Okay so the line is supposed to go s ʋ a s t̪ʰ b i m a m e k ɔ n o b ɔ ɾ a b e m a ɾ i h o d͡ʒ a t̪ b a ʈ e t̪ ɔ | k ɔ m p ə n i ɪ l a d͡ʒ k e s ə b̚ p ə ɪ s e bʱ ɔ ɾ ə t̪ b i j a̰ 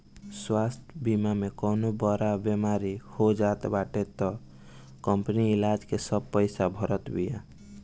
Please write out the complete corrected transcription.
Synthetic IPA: s w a s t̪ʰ b i m a m e k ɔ n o b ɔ ɾ a b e m a ɾ i h o d͡ʒ a t̪ b a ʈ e t̪ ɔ | k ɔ m p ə n i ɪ l a d͡ʒ k e s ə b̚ p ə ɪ s a bʱ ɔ ɾ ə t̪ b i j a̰